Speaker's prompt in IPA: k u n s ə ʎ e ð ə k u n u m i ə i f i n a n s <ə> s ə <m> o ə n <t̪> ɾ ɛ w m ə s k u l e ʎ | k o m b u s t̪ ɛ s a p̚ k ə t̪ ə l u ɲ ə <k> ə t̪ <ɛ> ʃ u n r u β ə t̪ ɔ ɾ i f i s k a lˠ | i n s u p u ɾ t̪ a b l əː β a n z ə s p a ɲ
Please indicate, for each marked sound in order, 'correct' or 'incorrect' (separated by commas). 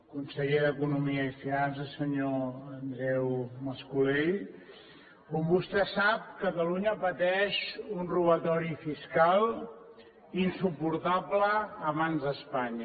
correct, incorrect, incorrect, incorrect, correct